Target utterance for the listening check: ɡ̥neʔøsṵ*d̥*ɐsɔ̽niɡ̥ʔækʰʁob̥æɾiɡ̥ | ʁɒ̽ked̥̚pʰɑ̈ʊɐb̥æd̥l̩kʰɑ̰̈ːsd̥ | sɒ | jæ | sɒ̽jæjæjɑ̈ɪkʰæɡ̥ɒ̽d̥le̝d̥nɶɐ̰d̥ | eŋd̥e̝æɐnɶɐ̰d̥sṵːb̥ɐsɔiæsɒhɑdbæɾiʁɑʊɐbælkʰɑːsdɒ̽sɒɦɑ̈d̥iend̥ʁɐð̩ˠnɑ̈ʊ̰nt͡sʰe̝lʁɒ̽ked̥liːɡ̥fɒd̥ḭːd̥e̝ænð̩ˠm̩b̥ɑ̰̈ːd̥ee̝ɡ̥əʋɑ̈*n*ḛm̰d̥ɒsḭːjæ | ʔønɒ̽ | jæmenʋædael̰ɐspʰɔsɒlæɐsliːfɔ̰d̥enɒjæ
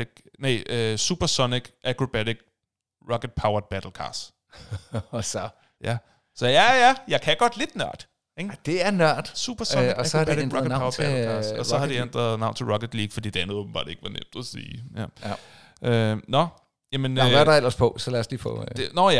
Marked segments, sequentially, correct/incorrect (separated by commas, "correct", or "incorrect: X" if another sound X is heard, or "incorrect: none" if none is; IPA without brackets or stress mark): incorrect: b̥, correct